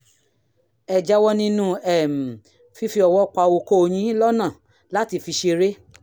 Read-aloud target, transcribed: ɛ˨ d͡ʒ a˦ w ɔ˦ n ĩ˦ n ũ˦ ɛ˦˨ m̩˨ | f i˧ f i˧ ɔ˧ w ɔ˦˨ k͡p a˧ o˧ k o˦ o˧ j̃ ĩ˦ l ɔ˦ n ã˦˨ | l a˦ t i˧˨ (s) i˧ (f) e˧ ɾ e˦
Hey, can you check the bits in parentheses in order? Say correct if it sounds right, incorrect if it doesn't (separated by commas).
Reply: incorrect, incorrect